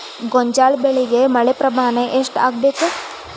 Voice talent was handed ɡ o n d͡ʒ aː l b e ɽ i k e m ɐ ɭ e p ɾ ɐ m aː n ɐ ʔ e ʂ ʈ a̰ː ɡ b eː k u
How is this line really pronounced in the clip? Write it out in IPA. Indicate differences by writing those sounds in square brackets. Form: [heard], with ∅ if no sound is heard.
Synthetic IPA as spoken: ɡ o [ɲ] d͡ʒ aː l b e [ɭ] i [ɡ] e m ɐ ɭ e p ɾ ɐ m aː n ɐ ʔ e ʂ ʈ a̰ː ɡ b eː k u